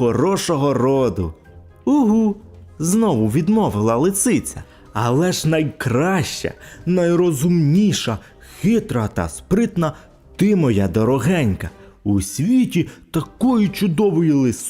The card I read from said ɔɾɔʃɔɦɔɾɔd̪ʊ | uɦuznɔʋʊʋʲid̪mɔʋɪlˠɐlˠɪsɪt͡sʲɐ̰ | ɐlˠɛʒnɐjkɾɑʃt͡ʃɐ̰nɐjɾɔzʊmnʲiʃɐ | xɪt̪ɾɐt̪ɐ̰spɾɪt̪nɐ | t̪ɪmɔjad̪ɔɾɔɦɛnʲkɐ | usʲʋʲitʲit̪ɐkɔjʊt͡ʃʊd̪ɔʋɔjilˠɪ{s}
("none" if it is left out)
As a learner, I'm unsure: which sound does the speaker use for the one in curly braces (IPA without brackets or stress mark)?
s